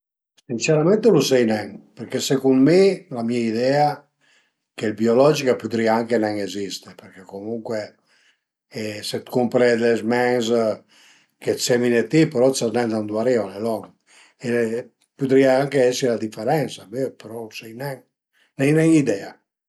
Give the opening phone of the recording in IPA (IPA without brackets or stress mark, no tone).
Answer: s